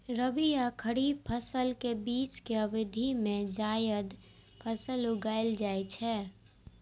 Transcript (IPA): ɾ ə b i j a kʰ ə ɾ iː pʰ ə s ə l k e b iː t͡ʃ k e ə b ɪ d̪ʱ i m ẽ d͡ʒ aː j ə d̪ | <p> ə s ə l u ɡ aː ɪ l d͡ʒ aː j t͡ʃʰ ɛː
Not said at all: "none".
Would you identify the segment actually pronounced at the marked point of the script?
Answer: pʰ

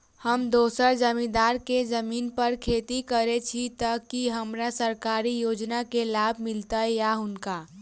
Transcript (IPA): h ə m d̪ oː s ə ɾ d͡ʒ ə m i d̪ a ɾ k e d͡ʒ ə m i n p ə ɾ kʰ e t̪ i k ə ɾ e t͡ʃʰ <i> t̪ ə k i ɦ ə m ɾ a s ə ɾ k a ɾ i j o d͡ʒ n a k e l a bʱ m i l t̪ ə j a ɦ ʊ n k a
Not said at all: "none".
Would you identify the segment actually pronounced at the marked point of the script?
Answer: i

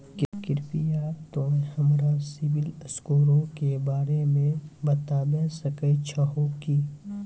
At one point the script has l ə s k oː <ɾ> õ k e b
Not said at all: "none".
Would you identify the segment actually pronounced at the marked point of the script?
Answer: ɾ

